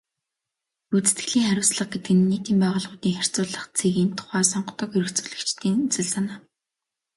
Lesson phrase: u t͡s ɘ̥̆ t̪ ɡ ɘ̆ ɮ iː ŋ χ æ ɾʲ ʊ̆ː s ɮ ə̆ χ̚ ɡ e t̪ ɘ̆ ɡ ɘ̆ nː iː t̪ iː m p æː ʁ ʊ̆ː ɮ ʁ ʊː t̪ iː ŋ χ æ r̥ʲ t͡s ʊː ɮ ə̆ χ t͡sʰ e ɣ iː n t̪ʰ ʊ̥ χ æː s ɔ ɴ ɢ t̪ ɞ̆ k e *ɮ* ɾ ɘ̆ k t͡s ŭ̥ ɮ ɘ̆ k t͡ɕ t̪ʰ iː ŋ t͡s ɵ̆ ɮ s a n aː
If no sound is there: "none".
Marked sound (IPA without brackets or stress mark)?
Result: none